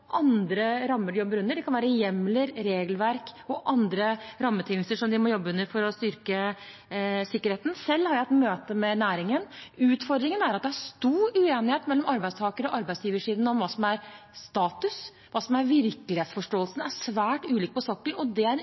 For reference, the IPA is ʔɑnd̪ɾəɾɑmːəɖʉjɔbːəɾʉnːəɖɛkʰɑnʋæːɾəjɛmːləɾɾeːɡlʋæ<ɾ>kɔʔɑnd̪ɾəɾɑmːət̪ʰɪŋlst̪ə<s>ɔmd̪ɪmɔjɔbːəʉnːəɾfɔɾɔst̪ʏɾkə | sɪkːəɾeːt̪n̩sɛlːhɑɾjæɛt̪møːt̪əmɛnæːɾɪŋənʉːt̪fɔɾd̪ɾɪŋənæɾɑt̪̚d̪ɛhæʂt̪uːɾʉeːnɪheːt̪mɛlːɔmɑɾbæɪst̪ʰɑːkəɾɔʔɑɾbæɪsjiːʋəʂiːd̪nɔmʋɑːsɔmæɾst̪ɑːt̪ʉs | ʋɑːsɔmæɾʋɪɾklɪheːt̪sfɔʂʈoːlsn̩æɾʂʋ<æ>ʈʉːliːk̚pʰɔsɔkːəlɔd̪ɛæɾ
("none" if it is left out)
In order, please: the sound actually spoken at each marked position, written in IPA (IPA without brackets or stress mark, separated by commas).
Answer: ɾ, ʂ, æː